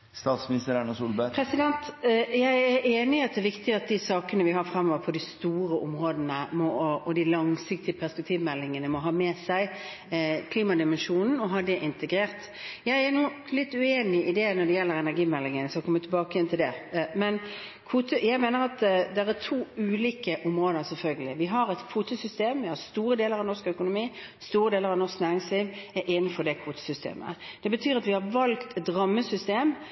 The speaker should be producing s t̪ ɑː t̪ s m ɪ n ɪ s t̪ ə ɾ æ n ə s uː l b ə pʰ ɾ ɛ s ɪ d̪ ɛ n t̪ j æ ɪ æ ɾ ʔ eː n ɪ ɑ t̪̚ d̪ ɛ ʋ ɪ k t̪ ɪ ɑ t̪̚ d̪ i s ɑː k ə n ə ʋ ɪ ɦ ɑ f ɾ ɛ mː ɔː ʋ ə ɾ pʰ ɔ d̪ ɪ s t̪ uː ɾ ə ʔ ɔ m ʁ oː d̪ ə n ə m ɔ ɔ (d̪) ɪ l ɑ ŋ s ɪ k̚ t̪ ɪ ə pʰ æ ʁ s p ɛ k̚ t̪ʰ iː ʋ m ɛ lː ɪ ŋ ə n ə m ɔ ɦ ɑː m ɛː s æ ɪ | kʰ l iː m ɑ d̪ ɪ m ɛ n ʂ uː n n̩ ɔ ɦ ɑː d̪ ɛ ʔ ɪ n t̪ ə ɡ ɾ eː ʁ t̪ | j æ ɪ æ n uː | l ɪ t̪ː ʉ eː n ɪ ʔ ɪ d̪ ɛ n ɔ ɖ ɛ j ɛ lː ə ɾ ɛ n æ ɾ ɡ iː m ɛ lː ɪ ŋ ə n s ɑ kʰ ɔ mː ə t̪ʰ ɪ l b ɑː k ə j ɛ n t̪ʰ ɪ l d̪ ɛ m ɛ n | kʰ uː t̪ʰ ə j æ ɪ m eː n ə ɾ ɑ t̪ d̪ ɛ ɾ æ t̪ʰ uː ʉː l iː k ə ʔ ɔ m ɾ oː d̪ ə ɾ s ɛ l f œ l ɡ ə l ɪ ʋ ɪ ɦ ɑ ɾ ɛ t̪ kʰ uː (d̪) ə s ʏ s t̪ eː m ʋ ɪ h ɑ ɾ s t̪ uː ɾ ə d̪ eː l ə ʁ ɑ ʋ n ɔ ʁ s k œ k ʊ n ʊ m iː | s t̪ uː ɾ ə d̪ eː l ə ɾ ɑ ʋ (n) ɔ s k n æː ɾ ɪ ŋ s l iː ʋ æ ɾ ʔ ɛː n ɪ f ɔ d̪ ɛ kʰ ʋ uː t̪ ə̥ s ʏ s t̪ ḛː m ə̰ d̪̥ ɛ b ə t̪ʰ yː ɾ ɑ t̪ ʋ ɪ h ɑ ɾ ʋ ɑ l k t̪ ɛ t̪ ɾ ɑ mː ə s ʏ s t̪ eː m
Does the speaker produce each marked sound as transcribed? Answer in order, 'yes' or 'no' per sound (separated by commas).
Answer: yes, no, yes